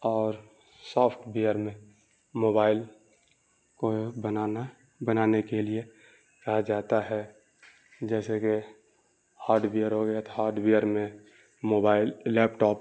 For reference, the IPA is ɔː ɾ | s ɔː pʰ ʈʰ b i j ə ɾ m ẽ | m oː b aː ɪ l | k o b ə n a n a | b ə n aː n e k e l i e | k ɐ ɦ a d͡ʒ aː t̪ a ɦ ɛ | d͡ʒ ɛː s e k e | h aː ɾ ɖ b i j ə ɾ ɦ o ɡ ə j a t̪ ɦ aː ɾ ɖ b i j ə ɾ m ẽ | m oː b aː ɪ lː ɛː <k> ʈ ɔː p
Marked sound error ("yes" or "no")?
yes